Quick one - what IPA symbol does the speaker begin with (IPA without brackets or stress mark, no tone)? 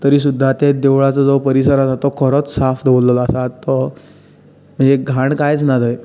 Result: t̪